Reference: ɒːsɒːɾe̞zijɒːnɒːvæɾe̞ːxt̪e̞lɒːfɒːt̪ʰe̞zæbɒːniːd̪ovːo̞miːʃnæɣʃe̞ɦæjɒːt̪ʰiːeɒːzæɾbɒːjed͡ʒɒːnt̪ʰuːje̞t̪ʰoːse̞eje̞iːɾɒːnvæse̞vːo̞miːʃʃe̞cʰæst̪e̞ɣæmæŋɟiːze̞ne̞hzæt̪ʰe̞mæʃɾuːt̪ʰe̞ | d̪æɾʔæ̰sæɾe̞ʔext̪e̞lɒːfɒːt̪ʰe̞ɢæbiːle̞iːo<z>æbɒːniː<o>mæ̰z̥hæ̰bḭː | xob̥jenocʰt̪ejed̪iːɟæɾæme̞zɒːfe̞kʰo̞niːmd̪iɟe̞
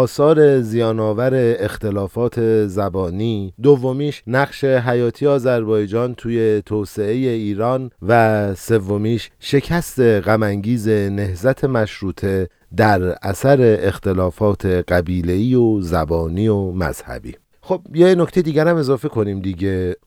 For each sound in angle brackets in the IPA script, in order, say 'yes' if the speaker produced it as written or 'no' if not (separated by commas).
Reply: yes, yes